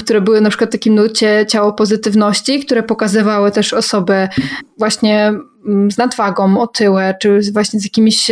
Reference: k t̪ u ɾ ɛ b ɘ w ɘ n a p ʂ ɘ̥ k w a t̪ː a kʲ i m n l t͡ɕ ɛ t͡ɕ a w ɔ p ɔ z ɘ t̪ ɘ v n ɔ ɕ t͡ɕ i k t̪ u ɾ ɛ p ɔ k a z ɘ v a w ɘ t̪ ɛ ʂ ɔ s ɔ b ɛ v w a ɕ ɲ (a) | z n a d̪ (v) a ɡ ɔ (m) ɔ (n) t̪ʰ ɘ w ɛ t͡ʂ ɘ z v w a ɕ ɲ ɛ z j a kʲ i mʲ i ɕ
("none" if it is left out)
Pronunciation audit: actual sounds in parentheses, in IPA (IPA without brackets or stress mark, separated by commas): ɛ, v, m, none